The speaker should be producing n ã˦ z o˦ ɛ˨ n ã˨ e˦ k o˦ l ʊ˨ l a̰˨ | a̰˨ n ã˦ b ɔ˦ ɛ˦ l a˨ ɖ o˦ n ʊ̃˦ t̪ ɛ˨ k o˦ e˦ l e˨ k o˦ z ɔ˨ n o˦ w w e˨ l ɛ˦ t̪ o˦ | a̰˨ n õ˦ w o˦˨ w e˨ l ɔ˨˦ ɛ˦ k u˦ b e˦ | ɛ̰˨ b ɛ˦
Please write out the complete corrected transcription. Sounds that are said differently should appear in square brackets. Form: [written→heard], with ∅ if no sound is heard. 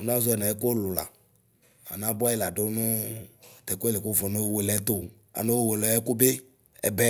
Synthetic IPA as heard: n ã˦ z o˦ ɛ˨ n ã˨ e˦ k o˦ l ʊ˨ l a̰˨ | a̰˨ n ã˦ b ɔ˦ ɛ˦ l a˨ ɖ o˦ n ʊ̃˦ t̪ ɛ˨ k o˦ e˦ l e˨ k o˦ [z→v] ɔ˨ n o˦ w w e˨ l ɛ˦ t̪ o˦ | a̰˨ n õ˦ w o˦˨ w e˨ l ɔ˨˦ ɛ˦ k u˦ b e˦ | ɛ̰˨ b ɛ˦